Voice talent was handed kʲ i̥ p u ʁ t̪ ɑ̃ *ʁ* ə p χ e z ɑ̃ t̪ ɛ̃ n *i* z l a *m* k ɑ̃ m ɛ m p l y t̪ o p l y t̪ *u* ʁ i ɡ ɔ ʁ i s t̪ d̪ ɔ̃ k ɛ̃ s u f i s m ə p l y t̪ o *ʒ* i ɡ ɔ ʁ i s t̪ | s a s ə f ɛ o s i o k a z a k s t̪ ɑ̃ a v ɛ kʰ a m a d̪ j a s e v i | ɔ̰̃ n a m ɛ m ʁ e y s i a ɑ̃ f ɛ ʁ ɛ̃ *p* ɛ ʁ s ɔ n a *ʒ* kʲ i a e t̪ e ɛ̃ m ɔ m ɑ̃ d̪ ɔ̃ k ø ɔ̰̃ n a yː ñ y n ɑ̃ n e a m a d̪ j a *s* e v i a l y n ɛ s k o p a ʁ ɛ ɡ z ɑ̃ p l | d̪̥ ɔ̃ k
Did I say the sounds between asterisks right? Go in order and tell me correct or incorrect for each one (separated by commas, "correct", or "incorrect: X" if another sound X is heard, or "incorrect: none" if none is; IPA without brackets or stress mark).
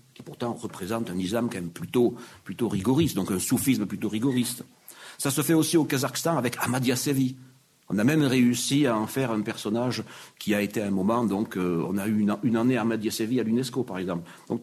correct, correct, correct, incorrect: o, incorrect: ʁ, correct, correct, correct